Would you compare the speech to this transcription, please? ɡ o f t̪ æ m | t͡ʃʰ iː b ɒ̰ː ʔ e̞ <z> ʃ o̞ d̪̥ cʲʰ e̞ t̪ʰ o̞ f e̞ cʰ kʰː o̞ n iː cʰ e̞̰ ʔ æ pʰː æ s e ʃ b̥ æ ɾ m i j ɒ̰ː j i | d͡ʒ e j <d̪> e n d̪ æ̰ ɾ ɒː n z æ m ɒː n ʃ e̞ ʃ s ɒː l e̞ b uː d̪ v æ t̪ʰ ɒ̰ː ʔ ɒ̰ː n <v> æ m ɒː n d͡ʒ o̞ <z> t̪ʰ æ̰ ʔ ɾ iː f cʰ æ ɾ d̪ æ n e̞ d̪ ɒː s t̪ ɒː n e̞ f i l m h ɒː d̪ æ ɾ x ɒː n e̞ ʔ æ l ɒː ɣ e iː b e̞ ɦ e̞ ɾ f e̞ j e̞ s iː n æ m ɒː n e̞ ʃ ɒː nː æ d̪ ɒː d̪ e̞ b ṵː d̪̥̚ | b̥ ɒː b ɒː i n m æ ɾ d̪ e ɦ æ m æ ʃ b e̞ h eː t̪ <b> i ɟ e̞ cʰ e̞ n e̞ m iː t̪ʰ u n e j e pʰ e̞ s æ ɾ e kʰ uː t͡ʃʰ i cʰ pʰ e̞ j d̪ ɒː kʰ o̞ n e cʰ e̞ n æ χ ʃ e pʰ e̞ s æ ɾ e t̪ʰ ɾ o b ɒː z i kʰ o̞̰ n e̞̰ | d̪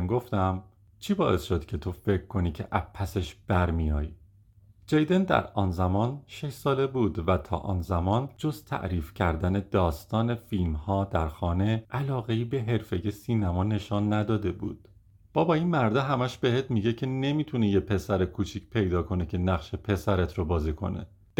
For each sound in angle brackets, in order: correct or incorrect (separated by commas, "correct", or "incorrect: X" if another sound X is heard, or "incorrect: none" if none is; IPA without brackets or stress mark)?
incorrect: s, correct, incorrect: z, correct, incorrect: m